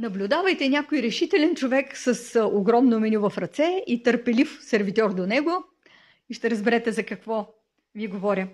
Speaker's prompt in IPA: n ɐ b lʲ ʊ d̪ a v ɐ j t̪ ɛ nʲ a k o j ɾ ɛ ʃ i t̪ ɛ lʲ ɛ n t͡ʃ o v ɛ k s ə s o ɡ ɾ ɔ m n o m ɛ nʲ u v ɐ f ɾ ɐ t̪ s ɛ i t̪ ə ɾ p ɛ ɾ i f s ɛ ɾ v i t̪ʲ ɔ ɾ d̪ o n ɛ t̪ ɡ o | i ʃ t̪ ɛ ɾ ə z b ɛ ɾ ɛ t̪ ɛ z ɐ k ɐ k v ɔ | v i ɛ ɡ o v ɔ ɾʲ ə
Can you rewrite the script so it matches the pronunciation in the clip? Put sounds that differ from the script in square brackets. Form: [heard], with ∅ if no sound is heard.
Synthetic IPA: n ɐ b lʲ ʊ d̪ a v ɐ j t̪ ɛ nʲ a k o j ɾ ɛ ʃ i t̪ ɛ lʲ ɛ n t͡ʃ o v ɛ k s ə s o ɡ ɾ ɔ m n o m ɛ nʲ u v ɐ f ɾ ɐ t̪ s ɛ i t̪ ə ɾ p ɛ [l] i f s ɛ ɾ v i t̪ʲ ɔ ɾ d̪ o n ɛ [∅] ɡ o | i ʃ t̪ ɛ ɾ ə z b ɛ ɾ ɛ t̪ ɛ z ɐ k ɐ k v ɔ | v i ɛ ɡ o v ɔ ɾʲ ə